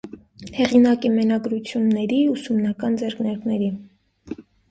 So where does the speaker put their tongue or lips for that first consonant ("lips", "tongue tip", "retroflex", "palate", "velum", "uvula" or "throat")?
throat